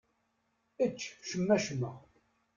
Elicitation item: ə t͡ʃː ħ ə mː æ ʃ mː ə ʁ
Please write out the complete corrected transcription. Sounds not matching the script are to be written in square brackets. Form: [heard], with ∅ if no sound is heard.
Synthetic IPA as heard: ə t͡ʃː [ʃ] ə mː æ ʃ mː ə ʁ